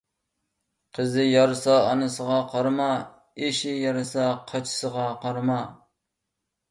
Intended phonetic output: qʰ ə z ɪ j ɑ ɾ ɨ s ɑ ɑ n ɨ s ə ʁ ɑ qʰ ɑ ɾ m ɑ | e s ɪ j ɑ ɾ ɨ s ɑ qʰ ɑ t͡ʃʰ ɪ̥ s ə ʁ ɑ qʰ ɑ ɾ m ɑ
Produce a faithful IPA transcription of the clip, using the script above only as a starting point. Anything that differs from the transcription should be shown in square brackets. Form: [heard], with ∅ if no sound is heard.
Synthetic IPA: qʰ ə z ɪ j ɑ ɾ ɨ s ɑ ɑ n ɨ s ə ʁ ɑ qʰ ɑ ɾ m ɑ | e [ʃ] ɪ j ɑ ɾ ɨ s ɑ qʰ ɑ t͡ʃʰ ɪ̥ s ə ʁ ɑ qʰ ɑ ɾ m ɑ